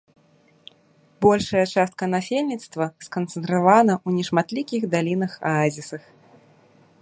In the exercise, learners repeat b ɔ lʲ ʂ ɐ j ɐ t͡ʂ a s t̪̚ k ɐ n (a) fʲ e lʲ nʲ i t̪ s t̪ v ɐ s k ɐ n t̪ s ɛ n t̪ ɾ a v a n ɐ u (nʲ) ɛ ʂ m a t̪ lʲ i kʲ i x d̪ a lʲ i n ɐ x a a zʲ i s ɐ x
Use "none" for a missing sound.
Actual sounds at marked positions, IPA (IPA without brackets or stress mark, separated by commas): a, nʲ